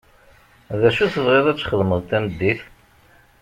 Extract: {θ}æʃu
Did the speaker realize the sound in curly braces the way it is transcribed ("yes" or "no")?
no